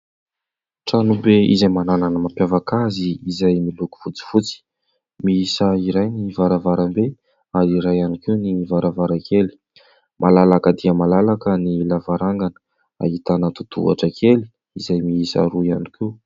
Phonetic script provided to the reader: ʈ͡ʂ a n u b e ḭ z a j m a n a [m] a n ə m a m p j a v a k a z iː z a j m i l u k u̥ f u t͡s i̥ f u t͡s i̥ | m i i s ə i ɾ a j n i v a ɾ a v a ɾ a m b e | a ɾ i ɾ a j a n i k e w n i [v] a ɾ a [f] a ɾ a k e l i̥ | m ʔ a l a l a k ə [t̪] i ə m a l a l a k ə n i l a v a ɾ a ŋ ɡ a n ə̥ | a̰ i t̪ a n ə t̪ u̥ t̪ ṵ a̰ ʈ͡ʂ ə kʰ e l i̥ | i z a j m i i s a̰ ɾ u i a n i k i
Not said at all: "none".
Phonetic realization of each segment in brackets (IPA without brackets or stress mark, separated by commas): n, v, v, d̪